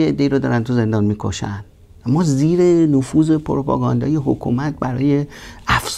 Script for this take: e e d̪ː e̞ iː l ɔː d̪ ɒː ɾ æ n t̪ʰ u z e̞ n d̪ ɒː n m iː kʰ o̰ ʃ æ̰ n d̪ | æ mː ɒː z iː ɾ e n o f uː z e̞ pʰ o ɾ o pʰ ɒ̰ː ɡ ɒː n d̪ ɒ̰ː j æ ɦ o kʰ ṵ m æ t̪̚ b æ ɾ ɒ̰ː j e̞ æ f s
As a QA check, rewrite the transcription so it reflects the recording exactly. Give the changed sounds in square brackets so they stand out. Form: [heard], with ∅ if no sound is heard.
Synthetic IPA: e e d̪ː e̞ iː [ɾ] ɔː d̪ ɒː ɾ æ n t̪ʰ u z e̞ n d̪ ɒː n m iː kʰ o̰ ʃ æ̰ n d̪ | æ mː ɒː z iː ɾ e n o f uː z e̞ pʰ o ɾ o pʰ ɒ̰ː ɡ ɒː n d̪ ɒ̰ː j [e] ɦ o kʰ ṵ m æ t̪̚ b æ ɾ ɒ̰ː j e̞ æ f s

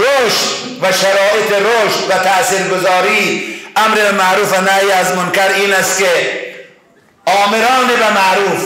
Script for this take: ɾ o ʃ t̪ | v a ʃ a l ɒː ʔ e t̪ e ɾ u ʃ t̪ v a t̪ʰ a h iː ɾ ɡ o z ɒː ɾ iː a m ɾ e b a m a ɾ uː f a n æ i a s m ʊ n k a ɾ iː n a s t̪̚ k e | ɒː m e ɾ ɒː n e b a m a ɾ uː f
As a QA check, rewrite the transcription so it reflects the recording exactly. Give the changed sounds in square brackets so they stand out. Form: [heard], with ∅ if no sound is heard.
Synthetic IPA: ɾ o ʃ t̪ | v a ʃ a [ɾ] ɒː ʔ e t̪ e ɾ [o] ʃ t̪ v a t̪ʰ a [s] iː ɾ ɡ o z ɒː ɾ iː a m ɾ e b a m a ɾ uː f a n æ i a [z] m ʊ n k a ɾ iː n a s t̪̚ k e | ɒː m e ɾ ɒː n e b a m a ɾ uː f

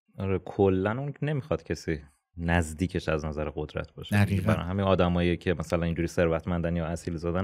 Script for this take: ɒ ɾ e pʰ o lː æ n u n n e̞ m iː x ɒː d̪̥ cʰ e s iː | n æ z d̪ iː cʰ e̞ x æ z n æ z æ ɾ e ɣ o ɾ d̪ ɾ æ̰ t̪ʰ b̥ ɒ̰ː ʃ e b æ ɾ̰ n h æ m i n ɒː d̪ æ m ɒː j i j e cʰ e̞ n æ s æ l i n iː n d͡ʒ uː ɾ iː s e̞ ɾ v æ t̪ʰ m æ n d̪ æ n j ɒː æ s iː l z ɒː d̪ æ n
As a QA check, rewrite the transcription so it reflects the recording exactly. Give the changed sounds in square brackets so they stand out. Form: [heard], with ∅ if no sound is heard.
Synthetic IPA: ɒ ɾ e [kʰ] o lː æ n u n n e̞ m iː x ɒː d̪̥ cʰ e s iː | n æ z d̪ iː cʰ e̞ [ʃ] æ z n æ z æ ɾ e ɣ o [∅] d̪ ɾ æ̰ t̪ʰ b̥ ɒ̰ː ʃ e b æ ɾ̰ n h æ m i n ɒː d̪ æ m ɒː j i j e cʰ e̞ [m] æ s æ l [æ] n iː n d͡ʒ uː ɾ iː s e̞ ɾ v æ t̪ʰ m æ n d̪ æ n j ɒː æ s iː l z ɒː d̪ æ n

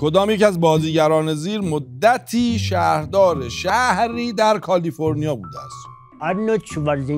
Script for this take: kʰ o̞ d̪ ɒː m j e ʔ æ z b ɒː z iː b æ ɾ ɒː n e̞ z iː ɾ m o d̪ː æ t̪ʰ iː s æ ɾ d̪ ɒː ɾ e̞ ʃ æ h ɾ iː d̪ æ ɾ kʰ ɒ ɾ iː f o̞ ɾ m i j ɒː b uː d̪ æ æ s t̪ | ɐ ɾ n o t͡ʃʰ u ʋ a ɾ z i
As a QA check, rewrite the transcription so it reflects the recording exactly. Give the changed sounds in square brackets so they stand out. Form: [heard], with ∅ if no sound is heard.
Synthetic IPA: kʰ o̞ d̪ ɒː m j e [c] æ z b ɒː z iː [ɟ] æ ɾ ɒː n e̞ z iː ɾ m o d̪ː æ t̪ʰ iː [ʃ] æ ɾ d̪ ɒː ɾ e̞ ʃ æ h ɾ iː d̪ æ ɾ kʰ ɒ [l] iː f o̞ ɾ [n] i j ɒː b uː d̪ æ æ s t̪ | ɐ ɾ n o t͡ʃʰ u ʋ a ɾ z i

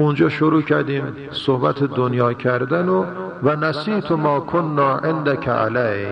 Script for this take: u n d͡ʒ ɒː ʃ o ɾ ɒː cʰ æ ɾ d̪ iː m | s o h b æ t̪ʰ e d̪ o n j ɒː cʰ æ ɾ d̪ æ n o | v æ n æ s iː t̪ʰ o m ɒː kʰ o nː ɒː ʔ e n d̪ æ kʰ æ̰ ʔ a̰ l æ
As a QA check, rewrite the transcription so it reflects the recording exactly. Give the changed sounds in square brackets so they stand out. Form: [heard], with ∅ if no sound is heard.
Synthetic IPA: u n d͡ʒ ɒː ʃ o ɾ [uː] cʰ æ ɾ d̪ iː m | s o h b æ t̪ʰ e d̪ o n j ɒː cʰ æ ɾ d̪ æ n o | v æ n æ s iː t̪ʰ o m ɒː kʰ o nː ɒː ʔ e n d̪ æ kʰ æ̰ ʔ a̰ l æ

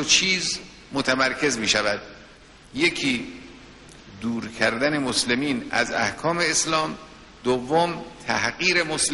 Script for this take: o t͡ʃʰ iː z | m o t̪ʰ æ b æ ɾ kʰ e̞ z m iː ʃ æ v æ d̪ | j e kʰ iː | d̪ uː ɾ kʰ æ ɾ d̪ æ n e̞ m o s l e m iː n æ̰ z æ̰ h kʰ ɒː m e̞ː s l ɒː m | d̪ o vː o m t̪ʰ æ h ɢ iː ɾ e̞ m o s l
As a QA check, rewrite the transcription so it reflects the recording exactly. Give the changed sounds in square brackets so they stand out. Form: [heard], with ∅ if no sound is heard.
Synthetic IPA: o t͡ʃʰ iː z | m o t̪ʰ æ [m] æ ɾ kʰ e̞ z m iː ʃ æ v æ d̪ | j e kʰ iː | d̪ uː ɾ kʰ æ ɾ d̪ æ n e̞ m o s l e m iː n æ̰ z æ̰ h kʰ ɒː m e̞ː s l ɒː m | d̪ o vː o m t̪ʰ æ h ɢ iː ɾ e̞ m o s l

